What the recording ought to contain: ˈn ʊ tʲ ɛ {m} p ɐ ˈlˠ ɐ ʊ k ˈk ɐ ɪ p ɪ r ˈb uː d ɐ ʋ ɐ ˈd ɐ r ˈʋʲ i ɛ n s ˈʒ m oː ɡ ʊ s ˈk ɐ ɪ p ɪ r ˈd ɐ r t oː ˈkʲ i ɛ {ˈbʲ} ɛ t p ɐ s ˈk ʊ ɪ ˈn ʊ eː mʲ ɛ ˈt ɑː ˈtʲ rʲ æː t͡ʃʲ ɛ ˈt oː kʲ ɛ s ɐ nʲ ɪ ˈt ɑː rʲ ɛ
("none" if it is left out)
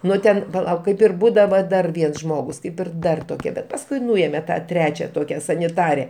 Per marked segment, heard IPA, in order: n, bʲ

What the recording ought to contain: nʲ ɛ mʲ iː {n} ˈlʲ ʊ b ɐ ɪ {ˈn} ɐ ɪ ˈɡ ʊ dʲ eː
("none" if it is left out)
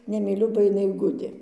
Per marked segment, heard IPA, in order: none, n

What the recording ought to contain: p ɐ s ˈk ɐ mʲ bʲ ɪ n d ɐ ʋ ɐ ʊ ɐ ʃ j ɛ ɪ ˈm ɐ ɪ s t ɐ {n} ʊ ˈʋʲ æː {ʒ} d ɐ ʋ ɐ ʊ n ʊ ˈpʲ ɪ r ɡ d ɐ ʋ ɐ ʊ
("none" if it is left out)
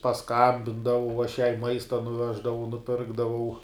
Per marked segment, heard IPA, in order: n, ʒ

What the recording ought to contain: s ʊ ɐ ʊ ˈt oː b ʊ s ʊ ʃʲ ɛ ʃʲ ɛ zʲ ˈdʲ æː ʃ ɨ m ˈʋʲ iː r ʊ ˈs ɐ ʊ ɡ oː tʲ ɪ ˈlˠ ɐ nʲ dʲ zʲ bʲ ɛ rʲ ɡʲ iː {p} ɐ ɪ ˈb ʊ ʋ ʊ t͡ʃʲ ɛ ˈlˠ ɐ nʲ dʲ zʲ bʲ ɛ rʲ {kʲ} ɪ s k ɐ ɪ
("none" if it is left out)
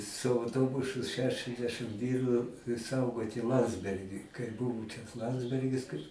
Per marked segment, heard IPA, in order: k, ɡʲ

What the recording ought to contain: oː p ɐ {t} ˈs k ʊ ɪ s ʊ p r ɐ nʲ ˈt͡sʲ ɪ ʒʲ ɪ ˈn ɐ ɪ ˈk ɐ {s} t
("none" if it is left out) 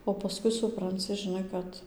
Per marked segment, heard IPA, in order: none, none

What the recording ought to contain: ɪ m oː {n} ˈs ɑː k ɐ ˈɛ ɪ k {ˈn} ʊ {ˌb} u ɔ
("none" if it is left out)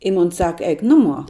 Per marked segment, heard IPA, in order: n, n, m

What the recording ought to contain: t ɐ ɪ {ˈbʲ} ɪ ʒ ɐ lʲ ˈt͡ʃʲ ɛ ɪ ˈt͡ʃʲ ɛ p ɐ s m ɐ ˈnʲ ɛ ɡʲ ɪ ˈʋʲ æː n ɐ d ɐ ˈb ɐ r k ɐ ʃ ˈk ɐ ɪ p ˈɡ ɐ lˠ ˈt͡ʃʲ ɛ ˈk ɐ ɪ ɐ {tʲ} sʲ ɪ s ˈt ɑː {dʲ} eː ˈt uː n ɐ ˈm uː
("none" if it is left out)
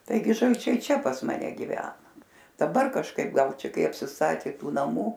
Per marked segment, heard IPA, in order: ɡʲ, pʲ, tʲ

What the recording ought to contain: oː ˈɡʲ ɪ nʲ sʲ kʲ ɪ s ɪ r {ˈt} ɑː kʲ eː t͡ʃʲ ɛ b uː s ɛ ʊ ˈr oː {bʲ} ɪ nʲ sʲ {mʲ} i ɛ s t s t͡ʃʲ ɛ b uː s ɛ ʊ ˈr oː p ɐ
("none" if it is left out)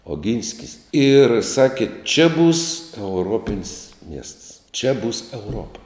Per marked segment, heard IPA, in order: s, pʲ, mʲ

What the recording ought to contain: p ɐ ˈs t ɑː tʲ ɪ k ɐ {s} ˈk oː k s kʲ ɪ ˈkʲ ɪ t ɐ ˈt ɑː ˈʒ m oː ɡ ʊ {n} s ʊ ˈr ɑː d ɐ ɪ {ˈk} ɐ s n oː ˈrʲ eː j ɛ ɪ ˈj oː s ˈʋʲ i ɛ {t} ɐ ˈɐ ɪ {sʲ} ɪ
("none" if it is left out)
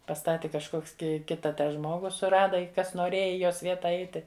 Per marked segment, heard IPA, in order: ʃ, none, k, t, tʲ

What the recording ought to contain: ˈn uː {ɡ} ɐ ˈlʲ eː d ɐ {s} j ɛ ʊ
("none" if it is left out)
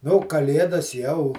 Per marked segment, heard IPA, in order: k, s

